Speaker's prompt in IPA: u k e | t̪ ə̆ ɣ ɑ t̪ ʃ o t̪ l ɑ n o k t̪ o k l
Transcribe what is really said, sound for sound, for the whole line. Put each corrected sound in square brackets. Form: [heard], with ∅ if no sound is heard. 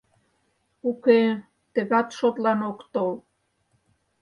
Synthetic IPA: u k e | t̪ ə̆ ɣ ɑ t̪ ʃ o t̪ l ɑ n o k t̪ o [∅] l